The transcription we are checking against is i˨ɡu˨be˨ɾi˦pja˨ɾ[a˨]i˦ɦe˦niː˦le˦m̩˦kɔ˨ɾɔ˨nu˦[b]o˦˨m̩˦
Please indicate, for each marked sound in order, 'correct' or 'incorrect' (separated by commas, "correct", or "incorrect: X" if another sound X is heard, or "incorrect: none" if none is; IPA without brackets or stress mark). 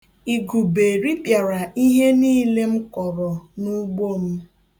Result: correct, incorrect: ɡ͡b